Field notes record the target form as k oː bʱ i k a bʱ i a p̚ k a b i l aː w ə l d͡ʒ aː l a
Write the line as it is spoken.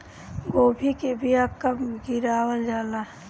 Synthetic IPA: ɡ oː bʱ i k e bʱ i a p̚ k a ɡ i ɾ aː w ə l d͡ʒ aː l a

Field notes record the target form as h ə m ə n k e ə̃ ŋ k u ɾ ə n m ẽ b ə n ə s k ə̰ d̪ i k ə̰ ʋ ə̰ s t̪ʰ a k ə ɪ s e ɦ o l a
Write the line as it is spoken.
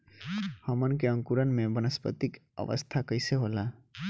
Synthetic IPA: h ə m ə n k e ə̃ ŋ k u ɾ ə n m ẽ b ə n ə s p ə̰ t̪ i k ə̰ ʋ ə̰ s t̪ʰ a k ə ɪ s e ɦ o l a

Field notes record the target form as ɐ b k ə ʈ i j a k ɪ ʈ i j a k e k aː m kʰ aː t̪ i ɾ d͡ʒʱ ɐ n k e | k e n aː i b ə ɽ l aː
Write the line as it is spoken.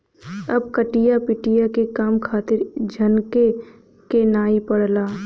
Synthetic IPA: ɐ b k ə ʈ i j a p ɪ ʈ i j a k e k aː m kʰ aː t̪ ɪ ɾ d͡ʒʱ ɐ n k e | k e n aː i p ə ɽ l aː

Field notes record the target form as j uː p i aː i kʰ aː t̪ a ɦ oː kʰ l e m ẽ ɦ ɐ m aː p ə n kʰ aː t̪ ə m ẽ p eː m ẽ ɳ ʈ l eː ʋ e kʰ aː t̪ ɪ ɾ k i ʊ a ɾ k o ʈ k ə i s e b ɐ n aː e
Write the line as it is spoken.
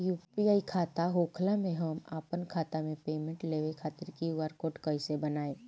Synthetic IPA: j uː p i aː i kʰ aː t̪ a ɦ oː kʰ l a m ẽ ɦ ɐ m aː p ə n kʰ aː t̪ a m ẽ p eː m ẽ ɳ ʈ l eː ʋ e kʰ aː t̪ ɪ ɾ k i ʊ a ɾ k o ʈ k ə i s e b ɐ n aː e

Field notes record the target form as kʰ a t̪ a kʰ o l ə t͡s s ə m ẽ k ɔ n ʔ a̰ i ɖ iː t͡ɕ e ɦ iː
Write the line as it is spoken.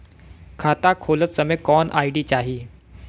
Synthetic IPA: kʰ a t̪ a kʰ o l ə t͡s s ə m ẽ k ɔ n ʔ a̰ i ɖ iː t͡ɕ a ɦ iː

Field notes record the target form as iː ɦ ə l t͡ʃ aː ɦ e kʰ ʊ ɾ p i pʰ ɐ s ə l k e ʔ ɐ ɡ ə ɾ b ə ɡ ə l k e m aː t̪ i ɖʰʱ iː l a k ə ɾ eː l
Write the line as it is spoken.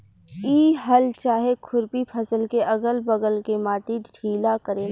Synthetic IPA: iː ɦ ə l t͡ʃ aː ɦ e kʰ ʊ ɾ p i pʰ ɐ s ə l k e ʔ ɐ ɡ ə l b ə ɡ ə l k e m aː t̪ i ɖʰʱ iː l a k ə ɾ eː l

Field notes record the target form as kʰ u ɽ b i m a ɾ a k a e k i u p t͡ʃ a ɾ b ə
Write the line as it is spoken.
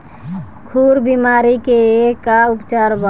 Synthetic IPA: kʰ u ɾ b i m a ɾ i k e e k a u p t͡ʃ a ɾ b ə

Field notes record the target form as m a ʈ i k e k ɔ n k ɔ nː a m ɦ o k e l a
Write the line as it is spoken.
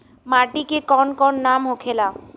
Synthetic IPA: m a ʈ i k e k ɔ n k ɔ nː a m ɦ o kʰ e l a

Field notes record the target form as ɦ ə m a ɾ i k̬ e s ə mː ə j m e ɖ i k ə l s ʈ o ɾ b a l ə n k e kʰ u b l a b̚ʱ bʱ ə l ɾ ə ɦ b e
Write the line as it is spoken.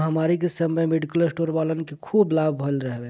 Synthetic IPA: ɦ ə m a ɾ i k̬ e s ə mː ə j m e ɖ i k ə l s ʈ o ɾ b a l ə n k e kʰ u b l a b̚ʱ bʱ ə l ɾ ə ɦ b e

